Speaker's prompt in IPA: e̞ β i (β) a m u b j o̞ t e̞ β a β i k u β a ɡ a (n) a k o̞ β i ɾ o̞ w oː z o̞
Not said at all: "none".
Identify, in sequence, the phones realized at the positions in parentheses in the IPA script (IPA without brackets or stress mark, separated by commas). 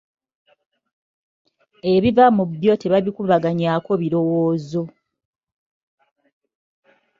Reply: v, ɲ